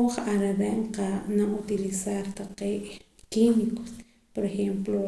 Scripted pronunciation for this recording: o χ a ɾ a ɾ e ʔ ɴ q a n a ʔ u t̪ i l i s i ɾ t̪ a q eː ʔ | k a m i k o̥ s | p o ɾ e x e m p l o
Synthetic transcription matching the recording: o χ a ɾ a ɾ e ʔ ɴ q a n a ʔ u t̪ i l i s a ɾ t̪ a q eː ʔ | k i m i k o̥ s | p o ɾ e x e m p l o

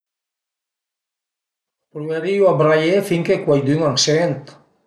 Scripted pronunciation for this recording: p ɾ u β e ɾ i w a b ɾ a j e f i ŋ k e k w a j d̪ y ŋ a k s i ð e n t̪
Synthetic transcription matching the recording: p ɾ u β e ɾ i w a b ɾ a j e f i ŋ k e k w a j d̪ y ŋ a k s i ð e n t̪

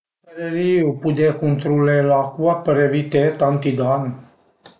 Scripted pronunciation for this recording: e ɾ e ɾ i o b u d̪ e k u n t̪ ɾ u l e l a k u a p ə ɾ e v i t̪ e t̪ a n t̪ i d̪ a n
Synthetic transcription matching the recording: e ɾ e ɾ i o p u d̪ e k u n t̪ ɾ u l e l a k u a p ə ɾ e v i t̪ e t̪ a n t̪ i d̪ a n

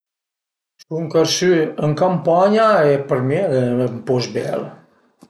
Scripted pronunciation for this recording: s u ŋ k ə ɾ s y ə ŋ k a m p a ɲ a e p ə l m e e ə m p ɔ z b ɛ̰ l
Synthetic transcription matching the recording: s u ŋ k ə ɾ s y ə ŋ k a m p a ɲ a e p ə ɾ m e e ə m p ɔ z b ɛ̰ l

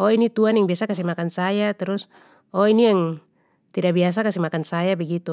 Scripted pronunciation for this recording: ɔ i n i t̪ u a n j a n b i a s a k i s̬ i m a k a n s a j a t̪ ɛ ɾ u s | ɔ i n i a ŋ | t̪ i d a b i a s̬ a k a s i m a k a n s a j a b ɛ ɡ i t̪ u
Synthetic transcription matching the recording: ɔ i n i t̪ u a n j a ŋ b i a s a k a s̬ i m a k a n s a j a t̪ ɛ ɾ u s | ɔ i n i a ŋ | t̪ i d a b i a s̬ a k a s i m a k a n s a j a b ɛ ɡ i t̪ u

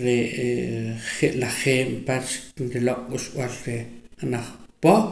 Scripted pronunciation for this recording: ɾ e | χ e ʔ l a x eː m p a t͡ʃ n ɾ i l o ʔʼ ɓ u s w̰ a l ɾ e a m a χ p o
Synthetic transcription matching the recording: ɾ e | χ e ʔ l a χ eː m p a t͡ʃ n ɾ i l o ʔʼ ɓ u ʃ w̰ a l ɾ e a n a χ p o

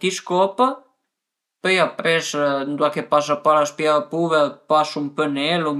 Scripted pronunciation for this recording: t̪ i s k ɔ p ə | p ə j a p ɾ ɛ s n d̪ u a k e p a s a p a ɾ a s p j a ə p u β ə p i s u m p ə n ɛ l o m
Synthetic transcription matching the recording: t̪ i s k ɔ p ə | p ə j a p ɾ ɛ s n d̪ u a k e p a s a p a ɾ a s p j a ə p u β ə p a s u m p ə n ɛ l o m

